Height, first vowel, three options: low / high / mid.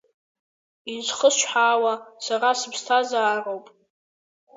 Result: high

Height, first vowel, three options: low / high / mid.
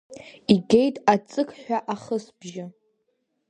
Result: high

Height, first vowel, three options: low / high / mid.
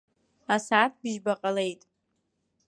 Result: low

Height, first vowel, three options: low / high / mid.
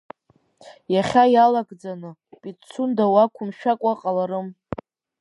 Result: low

